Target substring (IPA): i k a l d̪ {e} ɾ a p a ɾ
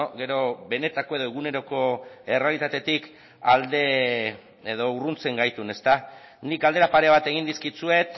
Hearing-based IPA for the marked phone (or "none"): e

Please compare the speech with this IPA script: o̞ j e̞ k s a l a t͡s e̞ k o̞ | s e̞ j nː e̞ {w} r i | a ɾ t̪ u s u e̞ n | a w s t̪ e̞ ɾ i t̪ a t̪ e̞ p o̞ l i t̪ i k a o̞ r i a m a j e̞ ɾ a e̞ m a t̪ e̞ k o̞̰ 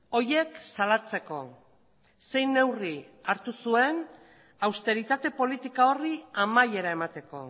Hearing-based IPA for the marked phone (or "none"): w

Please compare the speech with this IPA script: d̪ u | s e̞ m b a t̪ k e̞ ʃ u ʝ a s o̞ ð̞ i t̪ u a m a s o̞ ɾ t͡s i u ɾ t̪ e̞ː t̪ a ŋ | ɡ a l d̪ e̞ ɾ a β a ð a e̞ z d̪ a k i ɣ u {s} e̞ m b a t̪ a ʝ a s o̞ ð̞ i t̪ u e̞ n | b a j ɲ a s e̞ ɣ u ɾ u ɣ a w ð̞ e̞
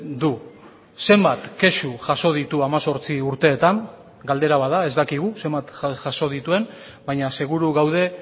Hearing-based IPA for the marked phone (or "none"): s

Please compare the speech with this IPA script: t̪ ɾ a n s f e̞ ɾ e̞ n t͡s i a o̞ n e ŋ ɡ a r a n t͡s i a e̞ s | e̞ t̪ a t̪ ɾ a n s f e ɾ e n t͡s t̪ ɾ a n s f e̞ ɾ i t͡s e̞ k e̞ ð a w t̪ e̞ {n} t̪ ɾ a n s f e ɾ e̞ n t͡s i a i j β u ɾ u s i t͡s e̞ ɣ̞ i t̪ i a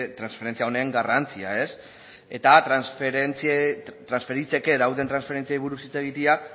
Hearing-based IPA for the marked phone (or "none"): n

